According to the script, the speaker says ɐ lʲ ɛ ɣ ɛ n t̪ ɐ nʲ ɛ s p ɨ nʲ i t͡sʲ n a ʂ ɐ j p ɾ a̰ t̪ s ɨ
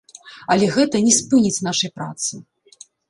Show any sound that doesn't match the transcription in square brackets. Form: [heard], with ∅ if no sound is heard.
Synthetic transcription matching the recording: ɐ lʲ ɛ ɣ ɛ [∅] t̪ ɐ nʲ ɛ s p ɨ nʲ i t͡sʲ n a ʂ ɐ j p ɾ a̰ t̪ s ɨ